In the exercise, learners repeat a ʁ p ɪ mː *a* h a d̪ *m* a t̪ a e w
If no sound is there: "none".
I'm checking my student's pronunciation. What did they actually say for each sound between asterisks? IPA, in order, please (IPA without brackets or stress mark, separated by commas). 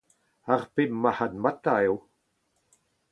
a, m